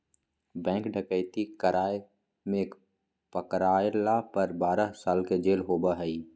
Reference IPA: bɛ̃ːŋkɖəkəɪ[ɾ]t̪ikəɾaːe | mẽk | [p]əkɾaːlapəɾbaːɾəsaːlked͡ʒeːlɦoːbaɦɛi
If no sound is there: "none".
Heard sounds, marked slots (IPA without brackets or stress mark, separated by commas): none, p